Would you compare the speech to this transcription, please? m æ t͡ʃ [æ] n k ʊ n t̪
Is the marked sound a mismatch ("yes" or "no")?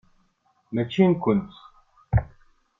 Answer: yes